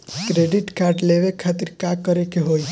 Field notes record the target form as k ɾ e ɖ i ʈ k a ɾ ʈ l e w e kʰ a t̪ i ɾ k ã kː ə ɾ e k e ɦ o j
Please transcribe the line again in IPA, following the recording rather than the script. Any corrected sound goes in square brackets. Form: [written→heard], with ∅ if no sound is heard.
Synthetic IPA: k ɾ e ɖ i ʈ k a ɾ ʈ l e [w→ʋ] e kʰ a t̪ i ɾ k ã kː ə ɾ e k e ɦ o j